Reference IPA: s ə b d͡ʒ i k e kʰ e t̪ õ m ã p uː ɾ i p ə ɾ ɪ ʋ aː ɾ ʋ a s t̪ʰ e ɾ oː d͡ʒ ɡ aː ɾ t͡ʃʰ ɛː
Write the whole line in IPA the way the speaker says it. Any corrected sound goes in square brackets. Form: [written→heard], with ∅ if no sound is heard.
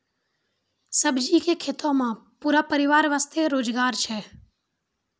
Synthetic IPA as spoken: s ə b d͡ʒ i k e kʰ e t̪ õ m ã p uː ɾ [i→a] p ə ɾ ɪ ʋ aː ɾ ʋ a s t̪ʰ e ɾ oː d͡ʒ ɡ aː ɾ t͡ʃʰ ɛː